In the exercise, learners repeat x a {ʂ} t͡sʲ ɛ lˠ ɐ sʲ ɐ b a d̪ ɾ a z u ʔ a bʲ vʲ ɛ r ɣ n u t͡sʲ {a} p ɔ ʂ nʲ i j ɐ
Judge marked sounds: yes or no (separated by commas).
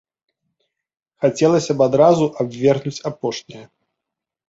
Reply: no, yes